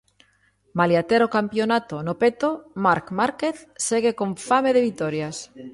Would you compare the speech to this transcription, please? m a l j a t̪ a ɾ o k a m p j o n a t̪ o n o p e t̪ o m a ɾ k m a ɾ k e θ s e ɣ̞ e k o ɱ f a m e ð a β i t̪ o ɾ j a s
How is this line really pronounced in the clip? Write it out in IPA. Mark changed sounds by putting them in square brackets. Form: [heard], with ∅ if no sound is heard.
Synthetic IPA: m a l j a t̪ [e] ɾ o k a m p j o n a t̪ o n o p e t̪ o m a ɾ k m a ɾ k e θ s e ɣ̞ e k o ɱ f a m e ð [e] β i t̪ o ɾ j a s